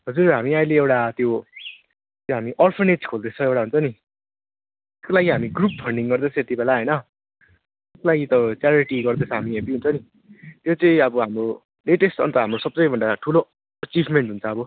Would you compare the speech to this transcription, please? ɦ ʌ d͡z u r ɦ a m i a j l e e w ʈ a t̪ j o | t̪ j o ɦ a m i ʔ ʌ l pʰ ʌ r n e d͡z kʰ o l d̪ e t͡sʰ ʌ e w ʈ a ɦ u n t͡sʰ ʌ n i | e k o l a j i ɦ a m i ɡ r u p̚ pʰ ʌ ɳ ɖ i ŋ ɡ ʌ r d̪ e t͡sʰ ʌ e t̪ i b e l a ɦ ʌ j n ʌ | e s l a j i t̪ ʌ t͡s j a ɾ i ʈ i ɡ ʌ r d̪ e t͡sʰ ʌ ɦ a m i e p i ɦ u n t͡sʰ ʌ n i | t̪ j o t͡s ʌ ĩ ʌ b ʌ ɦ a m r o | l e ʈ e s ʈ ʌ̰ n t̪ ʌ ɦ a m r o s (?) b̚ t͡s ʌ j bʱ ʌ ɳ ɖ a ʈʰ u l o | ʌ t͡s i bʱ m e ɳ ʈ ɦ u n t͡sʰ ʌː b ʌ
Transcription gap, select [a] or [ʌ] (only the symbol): ʌ